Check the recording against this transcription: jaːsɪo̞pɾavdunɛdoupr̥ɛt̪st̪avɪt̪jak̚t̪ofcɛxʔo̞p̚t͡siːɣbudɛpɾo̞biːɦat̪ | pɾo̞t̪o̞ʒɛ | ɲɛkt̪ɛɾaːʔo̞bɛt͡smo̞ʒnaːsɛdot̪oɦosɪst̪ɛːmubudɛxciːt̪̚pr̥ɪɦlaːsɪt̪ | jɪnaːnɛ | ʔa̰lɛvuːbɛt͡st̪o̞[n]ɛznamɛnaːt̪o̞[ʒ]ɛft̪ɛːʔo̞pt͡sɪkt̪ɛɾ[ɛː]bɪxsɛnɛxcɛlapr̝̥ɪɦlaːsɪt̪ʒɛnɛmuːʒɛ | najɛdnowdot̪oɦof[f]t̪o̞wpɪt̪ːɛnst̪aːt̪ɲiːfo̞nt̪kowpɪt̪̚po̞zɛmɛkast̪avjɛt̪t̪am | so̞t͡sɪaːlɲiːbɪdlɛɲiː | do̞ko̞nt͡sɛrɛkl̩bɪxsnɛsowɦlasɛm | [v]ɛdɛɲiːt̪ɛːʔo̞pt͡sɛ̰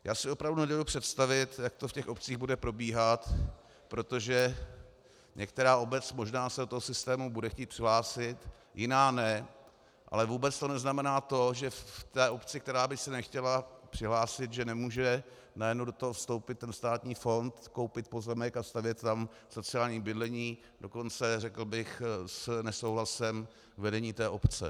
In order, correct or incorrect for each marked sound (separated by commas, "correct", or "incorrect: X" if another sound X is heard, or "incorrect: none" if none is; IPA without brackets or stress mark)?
correct, correct, incorrect: aː, incorrect: s, correct